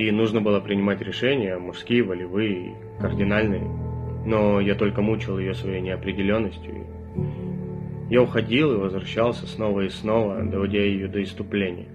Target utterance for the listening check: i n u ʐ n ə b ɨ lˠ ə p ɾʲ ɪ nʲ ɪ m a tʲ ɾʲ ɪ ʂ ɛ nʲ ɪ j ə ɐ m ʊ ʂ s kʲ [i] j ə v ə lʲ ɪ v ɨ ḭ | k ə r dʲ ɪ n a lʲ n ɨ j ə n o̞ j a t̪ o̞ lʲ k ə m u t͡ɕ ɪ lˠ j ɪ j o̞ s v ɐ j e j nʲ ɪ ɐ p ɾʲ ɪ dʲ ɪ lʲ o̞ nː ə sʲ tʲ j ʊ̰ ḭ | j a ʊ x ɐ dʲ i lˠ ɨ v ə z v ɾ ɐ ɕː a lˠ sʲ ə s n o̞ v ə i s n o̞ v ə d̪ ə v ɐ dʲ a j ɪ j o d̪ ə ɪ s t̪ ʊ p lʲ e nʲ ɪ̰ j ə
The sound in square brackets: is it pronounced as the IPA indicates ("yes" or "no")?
yes